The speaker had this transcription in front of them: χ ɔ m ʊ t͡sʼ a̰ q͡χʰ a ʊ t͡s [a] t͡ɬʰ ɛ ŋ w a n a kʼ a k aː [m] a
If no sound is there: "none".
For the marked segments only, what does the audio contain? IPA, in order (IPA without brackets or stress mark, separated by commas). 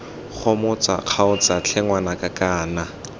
a, n